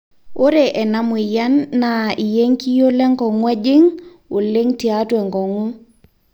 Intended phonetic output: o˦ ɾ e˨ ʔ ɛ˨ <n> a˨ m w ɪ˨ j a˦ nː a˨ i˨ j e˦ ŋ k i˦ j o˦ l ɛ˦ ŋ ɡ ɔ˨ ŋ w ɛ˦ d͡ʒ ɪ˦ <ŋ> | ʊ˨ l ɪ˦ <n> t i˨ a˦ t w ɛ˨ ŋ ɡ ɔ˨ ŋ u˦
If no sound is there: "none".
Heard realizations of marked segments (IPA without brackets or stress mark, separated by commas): n, ŋ, ŋ